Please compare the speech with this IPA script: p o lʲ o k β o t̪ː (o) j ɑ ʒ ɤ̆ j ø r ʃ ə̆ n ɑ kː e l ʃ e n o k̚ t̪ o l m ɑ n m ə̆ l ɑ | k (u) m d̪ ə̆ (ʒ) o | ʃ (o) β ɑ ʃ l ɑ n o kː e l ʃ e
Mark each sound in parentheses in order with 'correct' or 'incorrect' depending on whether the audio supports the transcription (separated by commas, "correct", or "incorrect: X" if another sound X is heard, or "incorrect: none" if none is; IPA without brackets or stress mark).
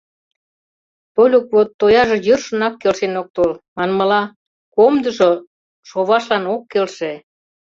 correct, incorrect: o, correct, correct